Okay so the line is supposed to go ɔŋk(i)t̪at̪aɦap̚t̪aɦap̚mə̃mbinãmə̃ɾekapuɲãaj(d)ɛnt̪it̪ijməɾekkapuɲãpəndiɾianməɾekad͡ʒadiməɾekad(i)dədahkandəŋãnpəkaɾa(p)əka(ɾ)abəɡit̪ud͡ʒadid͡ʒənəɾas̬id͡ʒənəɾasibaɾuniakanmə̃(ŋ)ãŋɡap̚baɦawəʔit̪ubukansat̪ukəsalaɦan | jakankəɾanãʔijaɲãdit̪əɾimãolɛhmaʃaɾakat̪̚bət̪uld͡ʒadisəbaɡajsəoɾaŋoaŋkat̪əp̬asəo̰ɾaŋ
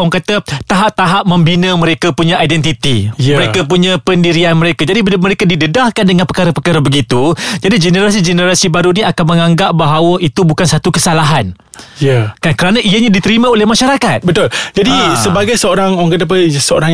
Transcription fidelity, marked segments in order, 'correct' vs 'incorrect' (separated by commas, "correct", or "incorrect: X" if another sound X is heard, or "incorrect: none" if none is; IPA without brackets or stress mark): incorrect: a, correct, correct, correct, correct, correct